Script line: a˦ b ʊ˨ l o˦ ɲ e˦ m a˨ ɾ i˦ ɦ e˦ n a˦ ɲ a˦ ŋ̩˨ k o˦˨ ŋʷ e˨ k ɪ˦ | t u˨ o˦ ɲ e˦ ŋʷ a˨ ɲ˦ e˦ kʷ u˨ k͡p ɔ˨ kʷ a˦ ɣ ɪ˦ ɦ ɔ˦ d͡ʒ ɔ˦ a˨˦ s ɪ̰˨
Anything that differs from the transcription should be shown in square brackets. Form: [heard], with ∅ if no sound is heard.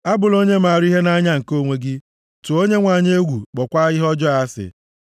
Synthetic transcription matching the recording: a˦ b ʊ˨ l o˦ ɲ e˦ m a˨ ɾ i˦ ɦ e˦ n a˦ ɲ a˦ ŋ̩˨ k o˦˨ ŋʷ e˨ [ɡ] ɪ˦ | t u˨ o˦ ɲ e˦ ŋʷ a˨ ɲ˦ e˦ [ɡʷ] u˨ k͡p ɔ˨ kʷ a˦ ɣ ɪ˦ ɦ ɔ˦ d͡ʒ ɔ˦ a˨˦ s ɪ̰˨